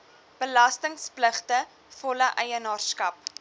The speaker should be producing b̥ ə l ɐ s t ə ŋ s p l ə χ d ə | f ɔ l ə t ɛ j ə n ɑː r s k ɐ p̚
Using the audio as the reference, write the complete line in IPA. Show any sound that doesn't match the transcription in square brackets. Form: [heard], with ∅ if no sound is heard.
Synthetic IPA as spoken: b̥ ə l ɐ s t ə ŋ s p l ə χ [t] ə | f ɔ l ə [ʔ] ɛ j ə n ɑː r s k ɐ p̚